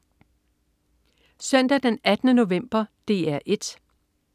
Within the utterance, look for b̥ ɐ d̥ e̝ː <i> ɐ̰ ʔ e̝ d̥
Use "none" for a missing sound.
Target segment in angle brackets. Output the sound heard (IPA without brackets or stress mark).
æ